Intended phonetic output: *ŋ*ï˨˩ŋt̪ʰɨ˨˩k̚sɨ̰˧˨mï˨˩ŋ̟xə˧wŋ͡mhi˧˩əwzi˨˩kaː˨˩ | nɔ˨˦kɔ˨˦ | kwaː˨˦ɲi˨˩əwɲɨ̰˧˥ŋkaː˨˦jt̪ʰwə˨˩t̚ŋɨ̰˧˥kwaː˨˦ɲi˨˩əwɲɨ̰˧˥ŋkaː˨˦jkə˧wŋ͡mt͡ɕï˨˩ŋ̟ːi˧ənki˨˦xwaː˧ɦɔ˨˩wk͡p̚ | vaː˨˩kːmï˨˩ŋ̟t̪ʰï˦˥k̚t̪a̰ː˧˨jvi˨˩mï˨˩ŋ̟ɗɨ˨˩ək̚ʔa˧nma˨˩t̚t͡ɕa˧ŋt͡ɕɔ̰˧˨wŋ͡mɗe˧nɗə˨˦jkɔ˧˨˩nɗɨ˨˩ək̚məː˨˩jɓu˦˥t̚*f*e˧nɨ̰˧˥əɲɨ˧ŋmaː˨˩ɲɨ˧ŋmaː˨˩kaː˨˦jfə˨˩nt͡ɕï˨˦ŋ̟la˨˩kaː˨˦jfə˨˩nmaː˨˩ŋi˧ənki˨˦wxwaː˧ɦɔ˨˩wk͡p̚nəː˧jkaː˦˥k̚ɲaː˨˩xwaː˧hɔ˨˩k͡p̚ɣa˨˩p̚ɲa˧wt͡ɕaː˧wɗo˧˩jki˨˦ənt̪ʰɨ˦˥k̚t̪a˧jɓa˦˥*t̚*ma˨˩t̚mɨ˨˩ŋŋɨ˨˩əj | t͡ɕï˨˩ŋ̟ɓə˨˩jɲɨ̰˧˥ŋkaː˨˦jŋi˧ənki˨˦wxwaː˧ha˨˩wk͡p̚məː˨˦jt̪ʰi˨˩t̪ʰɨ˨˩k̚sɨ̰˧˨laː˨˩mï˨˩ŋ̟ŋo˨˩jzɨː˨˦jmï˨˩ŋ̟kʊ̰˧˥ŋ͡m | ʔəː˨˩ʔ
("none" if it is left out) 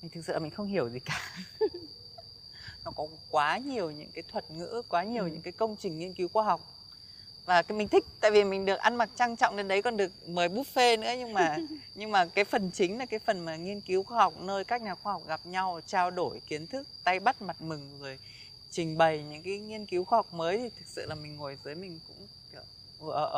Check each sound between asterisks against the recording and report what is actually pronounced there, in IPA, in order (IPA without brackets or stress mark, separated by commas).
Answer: m, f, t̚